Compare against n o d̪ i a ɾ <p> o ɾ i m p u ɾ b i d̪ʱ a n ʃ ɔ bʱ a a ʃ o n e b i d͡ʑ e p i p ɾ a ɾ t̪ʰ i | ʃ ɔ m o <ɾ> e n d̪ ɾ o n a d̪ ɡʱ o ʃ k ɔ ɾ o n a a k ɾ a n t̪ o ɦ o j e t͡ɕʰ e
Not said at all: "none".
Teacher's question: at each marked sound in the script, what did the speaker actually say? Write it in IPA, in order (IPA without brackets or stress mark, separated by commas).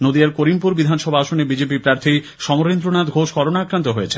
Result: k, ɾ